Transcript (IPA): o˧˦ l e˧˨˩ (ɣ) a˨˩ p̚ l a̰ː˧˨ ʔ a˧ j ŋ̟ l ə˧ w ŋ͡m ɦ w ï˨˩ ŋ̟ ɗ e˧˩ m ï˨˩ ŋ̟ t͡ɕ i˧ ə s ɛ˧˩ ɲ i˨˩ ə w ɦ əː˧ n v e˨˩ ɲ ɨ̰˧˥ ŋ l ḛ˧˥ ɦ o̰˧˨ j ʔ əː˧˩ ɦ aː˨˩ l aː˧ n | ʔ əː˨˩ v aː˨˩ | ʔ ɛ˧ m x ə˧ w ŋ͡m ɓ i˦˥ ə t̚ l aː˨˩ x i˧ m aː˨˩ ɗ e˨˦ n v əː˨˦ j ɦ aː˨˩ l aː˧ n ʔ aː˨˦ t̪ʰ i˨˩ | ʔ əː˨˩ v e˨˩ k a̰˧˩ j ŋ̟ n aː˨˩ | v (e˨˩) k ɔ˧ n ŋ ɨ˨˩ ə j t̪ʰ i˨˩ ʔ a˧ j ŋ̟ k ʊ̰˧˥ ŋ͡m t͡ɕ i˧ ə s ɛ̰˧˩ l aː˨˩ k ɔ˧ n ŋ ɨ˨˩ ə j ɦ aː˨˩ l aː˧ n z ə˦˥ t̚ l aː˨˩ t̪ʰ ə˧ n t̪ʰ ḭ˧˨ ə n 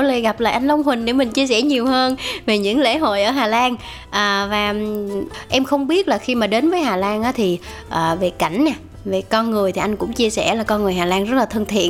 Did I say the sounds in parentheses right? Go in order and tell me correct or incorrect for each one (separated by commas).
correct, correct